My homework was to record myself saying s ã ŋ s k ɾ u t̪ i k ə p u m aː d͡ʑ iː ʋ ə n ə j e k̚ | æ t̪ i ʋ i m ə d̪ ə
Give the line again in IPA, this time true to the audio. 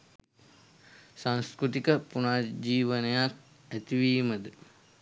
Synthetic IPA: s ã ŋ s k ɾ u t̪ i k ə p u n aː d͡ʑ iː ʋ ə n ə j a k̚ | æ t̪ i ʋ iː m ə d̪ ə